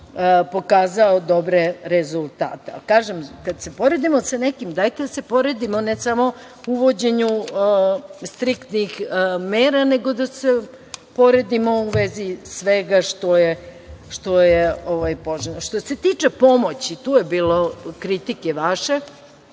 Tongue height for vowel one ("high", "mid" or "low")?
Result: mid